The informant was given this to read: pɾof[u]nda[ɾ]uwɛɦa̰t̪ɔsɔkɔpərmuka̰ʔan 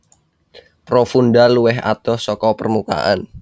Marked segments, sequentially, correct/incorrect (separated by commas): correct, incorrect